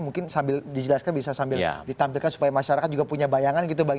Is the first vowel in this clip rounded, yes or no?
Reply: yes